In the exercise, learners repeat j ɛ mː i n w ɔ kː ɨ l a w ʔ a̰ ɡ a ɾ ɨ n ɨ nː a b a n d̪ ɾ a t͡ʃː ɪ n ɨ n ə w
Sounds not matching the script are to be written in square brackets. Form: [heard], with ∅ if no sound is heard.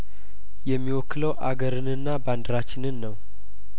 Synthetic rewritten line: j ɛ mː i [∅] w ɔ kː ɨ l [ə] w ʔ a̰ ɡ [ə] ɾ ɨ n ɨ nː a b a n d̪ ɾ a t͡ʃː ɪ n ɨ [nː] ə w